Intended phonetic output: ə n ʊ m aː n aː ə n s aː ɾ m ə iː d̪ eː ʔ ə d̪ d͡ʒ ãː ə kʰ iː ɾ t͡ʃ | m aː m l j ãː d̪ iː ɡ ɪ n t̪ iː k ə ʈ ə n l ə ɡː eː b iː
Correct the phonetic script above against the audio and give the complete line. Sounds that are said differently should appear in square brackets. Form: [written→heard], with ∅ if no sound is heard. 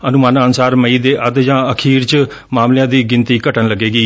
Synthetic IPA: ə n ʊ m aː n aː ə n s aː ɾ m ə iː d̪ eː ʔ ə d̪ d͡ʒ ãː ə kʰ iː ɾ t͡ʃ | m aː m l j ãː d̪ iː ɡ ɪ n t̪ iː k ə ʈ ə n l ə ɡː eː [b→ɡ] iː